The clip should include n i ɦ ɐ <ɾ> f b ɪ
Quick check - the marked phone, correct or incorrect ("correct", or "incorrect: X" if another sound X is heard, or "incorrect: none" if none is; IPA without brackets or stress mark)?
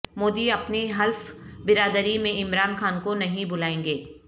incorrect: l